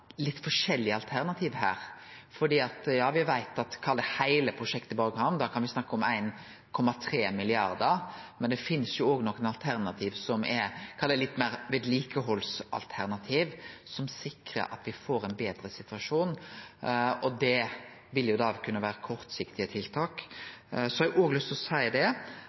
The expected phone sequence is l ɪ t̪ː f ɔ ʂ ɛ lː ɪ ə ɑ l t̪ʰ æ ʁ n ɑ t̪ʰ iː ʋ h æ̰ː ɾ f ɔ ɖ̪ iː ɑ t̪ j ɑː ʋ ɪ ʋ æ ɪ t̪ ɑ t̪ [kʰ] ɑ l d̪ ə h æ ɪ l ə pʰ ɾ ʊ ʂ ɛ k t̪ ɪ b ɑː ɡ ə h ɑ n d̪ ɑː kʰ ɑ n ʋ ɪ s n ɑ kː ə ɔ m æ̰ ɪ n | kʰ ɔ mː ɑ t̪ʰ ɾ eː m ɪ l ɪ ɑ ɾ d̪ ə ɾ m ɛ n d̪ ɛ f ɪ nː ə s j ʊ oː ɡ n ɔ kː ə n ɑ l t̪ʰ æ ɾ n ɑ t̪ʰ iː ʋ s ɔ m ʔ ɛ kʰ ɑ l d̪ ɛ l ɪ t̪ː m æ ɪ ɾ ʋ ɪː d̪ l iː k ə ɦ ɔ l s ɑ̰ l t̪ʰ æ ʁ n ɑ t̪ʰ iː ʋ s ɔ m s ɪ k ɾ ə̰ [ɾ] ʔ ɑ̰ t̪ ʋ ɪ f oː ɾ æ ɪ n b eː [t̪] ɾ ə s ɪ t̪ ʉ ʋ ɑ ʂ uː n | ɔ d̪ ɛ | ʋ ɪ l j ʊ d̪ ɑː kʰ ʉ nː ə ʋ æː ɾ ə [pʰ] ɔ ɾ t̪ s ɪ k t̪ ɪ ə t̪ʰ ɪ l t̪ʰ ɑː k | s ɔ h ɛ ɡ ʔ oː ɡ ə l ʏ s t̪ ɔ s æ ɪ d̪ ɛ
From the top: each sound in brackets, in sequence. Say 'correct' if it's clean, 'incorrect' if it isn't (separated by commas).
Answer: correct, correct, incorrect, incorrect